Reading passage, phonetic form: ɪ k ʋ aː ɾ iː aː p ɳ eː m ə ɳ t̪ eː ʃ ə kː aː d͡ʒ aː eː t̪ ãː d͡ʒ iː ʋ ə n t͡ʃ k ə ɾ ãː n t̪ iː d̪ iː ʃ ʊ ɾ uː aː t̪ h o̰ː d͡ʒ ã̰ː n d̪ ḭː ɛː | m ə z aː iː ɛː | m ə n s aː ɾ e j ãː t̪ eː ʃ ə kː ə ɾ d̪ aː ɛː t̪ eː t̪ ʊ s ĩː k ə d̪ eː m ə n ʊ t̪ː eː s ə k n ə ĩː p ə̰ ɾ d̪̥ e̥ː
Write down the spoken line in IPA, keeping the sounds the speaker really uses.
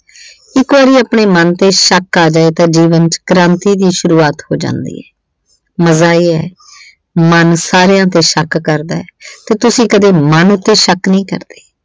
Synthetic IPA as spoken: ɪ k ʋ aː ɾ iː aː p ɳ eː m ə n t̪ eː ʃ ə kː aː d͡ʒ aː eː t̪ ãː d͡ʒ iː ʋ ə n t͡ʃ k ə ɾ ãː n t̪ iː d̪ iː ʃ ʊ ɾ uː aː t̪ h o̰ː d͡ʒ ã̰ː n d̪ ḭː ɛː | m ə z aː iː ɛː | m ə n s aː ɾ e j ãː t̪ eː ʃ ə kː ə ɾ d̪ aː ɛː t̪ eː t̪ ʊ s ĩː k ə d̪ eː m ə n ʊ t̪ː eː ʃ ə k n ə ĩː k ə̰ ɾ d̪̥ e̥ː